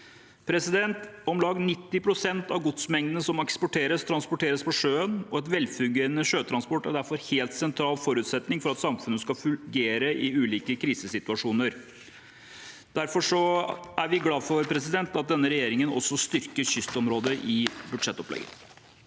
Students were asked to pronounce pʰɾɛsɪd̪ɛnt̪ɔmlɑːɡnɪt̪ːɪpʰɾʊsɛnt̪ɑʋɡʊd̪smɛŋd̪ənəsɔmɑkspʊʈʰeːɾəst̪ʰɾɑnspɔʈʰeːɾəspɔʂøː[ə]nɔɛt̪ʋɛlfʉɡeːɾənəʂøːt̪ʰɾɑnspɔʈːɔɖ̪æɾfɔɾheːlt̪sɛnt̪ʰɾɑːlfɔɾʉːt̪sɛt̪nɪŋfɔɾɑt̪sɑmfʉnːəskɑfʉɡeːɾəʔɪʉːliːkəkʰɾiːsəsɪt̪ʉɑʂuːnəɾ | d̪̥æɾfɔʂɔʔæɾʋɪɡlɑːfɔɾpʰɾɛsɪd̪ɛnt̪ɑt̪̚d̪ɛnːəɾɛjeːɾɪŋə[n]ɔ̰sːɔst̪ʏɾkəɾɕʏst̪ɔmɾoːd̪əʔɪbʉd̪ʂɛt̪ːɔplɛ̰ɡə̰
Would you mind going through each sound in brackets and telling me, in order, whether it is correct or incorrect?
correct, correct

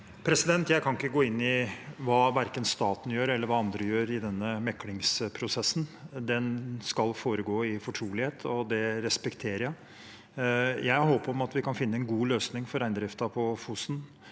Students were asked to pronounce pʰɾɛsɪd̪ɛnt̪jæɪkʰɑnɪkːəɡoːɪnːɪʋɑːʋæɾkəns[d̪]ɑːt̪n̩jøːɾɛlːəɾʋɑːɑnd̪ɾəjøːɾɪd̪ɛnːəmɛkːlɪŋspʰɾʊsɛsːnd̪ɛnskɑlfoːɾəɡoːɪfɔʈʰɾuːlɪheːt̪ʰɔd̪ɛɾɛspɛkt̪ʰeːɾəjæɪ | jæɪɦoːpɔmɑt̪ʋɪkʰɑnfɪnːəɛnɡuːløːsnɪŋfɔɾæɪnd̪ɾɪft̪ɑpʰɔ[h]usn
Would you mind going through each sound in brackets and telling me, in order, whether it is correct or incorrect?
incorrect, incorrect

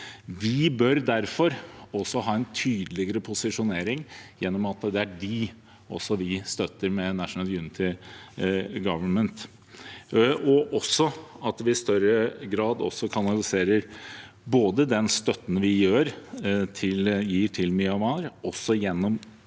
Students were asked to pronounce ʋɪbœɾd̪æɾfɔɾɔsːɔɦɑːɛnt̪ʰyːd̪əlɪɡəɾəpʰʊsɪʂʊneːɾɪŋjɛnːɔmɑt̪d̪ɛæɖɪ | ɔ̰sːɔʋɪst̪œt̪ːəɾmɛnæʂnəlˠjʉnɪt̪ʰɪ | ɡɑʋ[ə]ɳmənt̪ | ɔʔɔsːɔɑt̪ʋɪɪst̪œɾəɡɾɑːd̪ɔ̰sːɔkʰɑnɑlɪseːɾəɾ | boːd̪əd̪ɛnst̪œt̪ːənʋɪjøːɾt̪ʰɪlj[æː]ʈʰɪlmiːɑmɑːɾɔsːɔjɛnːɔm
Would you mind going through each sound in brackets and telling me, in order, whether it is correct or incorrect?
correct, incorrect

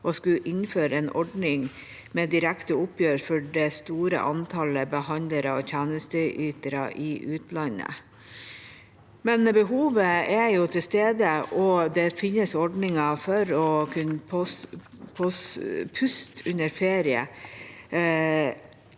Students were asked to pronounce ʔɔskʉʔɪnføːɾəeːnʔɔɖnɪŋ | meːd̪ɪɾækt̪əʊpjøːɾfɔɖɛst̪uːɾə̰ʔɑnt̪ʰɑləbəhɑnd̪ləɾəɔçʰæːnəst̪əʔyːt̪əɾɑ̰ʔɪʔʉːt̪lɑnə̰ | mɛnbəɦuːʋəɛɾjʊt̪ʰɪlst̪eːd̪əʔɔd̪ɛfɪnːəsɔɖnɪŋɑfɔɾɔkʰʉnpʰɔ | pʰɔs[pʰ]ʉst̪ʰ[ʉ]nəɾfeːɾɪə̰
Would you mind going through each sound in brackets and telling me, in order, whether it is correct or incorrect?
correct, correct

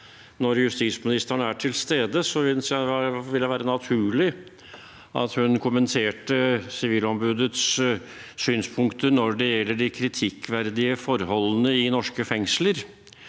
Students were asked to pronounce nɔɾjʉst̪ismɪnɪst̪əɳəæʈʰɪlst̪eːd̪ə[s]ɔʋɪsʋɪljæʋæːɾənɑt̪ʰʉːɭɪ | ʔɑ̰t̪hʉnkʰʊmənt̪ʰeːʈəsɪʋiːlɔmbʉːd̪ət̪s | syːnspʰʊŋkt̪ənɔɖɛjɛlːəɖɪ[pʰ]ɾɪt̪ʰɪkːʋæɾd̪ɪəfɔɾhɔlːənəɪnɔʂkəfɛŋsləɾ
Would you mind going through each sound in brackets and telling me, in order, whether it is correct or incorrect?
correct, incorrect

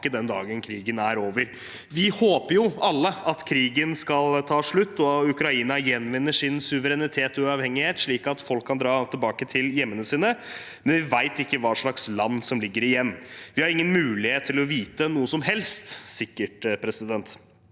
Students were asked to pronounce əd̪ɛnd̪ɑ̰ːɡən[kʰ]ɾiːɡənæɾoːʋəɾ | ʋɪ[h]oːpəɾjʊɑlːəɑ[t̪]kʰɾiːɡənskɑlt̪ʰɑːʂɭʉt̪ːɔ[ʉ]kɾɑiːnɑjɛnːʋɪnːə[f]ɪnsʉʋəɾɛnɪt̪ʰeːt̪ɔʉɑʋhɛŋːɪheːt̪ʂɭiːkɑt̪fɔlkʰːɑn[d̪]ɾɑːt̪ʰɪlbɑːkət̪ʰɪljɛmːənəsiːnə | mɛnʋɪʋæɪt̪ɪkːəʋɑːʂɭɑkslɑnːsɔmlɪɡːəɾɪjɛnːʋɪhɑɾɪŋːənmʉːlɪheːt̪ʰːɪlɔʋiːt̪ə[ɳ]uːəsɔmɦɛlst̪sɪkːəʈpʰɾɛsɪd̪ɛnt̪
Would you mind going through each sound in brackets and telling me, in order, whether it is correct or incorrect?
correct, correct, correct, correct, incorrect, correct, incorrect

